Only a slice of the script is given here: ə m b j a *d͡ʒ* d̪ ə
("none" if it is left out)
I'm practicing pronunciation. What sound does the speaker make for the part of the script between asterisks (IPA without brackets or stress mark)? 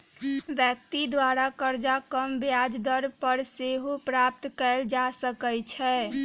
d͡ʒ